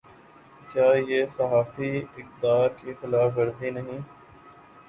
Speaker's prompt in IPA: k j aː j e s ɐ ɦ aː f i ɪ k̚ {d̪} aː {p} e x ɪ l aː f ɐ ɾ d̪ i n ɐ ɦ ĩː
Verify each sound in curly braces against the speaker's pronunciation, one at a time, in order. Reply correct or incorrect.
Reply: correct, incorrect

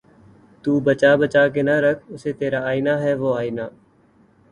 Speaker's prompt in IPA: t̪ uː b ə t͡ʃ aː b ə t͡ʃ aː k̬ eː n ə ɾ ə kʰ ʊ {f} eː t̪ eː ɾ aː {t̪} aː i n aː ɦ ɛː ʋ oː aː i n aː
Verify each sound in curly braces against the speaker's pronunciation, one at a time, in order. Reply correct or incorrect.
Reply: incorrect, incorrect

